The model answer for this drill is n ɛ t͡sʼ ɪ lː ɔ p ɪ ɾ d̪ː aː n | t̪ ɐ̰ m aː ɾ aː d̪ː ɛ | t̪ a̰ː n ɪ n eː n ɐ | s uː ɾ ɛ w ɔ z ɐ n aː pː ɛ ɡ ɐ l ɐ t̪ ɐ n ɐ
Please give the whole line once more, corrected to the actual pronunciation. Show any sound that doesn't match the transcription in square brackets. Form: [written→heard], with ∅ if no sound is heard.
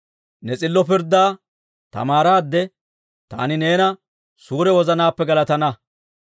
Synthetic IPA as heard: n ɛ t͡sʼ ɪ lː ɔ p ɪ ɾ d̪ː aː [n→∅] | t̪ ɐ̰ m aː ɾ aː d̪ː ɛ | t̪ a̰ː n ɪ n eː n ɐ | s uː ɾ ɛ w ɔ z ɐ n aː pː ɛ ɡ ɐ l ɐ t̪ ɐ n ɐ